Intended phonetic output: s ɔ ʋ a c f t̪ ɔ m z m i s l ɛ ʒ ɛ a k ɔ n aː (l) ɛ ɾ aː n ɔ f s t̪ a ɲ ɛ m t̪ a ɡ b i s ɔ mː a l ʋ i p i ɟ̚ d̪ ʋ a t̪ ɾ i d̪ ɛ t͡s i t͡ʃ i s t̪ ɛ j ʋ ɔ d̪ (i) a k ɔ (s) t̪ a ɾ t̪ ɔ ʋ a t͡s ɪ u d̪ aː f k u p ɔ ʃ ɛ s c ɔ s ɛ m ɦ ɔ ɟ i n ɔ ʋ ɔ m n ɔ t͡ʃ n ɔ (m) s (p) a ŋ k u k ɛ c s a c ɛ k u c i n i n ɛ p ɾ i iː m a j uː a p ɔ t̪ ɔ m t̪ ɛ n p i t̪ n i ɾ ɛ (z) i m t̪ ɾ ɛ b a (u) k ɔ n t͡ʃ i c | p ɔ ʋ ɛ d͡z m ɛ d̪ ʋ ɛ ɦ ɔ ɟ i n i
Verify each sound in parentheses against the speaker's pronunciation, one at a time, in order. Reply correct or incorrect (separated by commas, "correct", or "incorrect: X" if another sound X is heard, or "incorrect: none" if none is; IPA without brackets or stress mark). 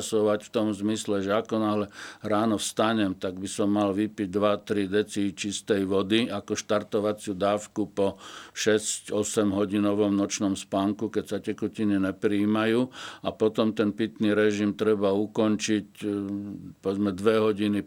correct, correct, incorrect: ʃ, correct, correct, incorrect: ʒ, correct